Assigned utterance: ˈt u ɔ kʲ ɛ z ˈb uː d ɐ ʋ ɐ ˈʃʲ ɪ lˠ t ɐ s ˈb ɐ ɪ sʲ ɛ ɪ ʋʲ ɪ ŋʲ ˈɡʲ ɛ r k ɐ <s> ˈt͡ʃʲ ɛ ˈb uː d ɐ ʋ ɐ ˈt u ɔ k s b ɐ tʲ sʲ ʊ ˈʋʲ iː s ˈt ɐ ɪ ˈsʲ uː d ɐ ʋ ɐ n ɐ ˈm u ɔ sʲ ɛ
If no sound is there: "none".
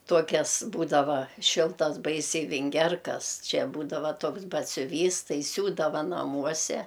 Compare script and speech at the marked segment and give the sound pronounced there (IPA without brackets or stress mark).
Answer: s